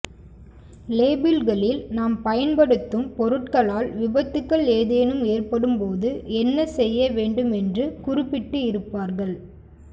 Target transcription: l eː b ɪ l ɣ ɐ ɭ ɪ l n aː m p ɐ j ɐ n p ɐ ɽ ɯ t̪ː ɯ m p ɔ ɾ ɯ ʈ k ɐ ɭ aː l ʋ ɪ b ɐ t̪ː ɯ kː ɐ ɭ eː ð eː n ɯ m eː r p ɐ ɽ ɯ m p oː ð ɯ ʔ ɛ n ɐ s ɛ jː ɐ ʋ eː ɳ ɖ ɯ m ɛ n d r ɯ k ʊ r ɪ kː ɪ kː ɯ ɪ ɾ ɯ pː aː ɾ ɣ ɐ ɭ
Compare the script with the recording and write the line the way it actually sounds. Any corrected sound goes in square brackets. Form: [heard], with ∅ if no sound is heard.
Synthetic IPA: l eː b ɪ l ɣ ɐ ɭ ɪ l n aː m p ɐ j ɐ n p ɐ ɽ ɯ t̪ː ɯ m p ɔ ɾ ɯ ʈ k ɐ ɭ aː l ʋ ɪ b ɐ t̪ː ɯ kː ɐ ɭ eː ð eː n ɯ m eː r p ɐ ɽ ɯ m p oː ð ɯ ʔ ɛ [nː] ɐ s ɛ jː ɐ ʋ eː ɳ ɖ ɯ m ɛ n d r ɯ k ʊ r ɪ [pː] ɪ [ʈː] ɯ ɪ ɾ ɯ pː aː ɾ ɣ ɐ ɭ